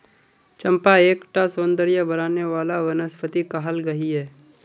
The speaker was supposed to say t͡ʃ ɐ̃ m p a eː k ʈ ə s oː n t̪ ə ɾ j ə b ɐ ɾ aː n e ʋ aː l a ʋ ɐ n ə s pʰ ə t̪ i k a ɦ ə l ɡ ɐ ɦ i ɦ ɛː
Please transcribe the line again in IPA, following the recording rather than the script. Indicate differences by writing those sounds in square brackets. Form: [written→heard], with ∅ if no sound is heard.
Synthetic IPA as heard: t͡ʃ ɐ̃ m p a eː k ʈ [ə→a] s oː n [t̪→d̪] ə ɾ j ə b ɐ ɾ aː n e ʋ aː l a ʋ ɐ n ə s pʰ ə t̪ i k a ɦ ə l ɡ ɐ ɦ i ɦ ɛː